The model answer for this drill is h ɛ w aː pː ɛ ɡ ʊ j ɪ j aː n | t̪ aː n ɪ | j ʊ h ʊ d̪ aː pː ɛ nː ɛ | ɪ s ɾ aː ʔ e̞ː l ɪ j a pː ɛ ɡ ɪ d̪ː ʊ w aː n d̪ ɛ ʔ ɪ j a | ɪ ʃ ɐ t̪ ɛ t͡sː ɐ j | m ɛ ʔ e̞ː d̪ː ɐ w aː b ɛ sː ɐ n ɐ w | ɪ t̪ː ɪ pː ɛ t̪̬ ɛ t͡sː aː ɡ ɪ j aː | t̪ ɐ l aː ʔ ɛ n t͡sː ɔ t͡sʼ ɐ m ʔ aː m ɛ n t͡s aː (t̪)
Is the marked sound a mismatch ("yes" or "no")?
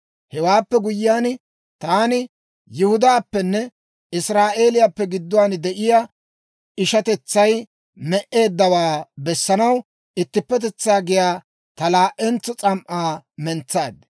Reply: yes